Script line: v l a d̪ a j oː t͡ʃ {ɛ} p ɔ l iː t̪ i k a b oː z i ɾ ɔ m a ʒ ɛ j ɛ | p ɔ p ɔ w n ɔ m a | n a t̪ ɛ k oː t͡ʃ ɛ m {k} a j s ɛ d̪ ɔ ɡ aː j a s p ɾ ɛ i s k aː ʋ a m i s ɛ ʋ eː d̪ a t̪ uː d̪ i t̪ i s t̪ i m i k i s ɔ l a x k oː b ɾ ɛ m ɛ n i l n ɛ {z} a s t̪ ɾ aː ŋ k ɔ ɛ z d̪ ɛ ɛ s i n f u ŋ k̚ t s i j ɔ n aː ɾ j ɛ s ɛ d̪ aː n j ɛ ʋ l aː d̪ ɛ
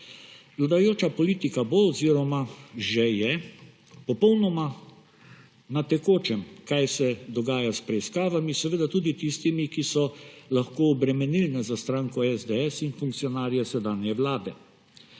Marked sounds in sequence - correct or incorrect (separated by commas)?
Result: incorrect, correct, correct